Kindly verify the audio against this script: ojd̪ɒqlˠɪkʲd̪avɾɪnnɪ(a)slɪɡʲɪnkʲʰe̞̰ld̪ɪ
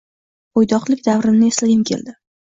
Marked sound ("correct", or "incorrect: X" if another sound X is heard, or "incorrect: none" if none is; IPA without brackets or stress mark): incorrect: e